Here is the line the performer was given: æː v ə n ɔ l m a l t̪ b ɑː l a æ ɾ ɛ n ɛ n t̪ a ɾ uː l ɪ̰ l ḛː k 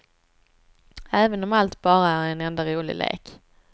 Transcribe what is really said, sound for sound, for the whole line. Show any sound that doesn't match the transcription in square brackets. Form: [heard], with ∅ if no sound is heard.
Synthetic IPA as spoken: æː v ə n ɔ [∅] m a l t̪ b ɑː [ɾ] a æ ɾ ɛ n ɛ n [d̪] a ɾ uː l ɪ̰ l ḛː k